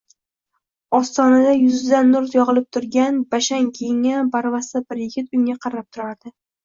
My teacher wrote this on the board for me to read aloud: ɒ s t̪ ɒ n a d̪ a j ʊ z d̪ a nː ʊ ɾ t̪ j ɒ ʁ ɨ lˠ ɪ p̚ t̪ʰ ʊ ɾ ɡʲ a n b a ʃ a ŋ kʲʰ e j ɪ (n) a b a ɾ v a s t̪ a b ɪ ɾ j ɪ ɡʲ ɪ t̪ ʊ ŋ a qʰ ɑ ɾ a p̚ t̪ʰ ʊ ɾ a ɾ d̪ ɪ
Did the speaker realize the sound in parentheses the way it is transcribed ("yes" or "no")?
no